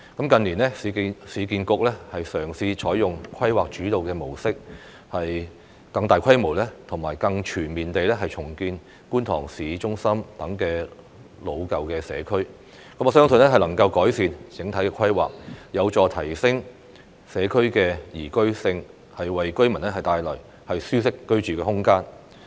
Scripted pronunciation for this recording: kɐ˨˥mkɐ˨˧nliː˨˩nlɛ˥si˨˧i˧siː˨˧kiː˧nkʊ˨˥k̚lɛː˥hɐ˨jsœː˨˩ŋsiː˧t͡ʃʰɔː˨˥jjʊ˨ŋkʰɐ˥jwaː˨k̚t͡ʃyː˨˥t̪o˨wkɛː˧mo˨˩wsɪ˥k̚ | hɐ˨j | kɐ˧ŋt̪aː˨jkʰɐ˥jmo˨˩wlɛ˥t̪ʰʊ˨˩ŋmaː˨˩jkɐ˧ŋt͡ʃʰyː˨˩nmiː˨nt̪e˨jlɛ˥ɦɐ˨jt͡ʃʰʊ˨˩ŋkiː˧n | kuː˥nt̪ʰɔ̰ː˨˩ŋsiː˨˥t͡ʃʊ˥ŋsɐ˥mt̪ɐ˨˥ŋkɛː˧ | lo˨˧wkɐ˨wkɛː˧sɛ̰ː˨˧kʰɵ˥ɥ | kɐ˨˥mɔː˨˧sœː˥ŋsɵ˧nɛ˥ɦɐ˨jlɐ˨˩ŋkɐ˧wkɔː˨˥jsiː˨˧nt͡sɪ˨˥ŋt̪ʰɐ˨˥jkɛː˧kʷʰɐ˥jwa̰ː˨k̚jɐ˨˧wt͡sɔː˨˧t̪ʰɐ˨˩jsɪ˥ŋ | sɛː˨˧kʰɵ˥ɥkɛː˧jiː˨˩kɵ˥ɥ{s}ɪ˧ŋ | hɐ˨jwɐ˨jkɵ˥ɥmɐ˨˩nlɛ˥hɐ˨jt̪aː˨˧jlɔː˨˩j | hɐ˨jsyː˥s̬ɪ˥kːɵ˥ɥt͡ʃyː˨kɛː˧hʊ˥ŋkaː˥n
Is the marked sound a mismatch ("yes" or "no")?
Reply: no